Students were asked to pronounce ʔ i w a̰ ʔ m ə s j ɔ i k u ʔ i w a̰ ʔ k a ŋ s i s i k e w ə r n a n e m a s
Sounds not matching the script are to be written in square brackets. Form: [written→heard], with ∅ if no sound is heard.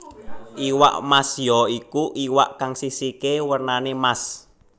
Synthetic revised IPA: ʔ i w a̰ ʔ m [ə→a] s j ɔ i k u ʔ i w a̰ ʔ k a ŋ s i s i k e w ə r n a n e m a s